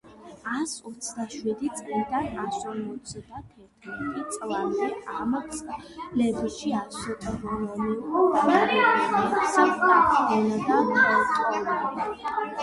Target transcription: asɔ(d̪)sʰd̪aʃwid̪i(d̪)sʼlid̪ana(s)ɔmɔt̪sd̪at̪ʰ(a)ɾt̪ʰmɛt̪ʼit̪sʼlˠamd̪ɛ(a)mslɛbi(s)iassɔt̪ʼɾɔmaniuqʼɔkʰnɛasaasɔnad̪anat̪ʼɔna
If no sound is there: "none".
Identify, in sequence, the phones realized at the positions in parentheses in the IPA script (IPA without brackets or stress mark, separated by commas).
t̪, t̪, s, ɛ, a, ʃ